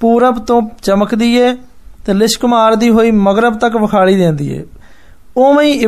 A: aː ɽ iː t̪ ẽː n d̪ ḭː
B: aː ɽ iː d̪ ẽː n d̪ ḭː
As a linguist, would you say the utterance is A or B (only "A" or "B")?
B